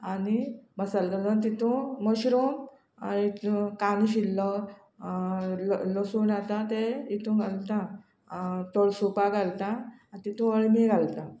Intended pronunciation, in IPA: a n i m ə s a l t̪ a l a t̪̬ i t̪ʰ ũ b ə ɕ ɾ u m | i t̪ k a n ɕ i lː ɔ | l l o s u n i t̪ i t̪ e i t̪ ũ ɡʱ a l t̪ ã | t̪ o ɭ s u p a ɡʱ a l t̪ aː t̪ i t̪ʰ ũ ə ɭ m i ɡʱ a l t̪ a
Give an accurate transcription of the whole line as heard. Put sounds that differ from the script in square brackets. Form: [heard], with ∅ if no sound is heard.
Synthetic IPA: a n i m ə s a l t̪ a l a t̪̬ i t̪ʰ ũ [m] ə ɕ ɾ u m | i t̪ k a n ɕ i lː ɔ | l l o s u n [a] t̪ [a] t̪ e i t̪ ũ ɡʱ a l t̪ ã | t̪ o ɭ s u p a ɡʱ a l t̪ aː t̪ i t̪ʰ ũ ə ɭ m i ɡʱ a l t̪ a